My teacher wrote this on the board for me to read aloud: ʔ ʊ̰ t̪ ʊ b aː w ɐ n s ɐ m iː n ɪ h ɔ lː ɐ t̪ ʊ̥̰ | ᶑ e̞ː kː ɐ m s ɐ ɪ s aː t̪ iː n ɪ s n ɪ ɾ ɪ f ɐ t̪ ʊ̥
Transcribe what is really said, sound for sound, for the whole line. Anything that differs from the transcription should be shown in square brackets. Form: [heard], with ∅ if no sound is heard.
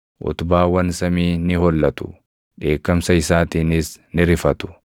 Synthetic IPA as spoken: ʔ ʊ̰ t̪ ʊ b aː w ɐ n s ɐ m iː n ɪ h ɔ lː ɐ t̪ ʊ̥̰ | ᶑ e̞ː kː ɐ m s ɐ ɪ s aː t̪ iː n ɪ s n ɪ ɾ ɪ f ɐ t̪ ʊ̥